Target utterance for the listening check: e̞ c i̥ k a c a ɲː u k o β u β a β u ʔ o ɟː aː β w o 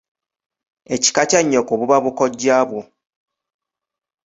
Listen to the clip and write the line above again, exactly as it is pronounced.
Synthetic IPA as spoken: e̞ c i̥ k a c a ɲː o k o β u β a β u k o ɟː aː β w o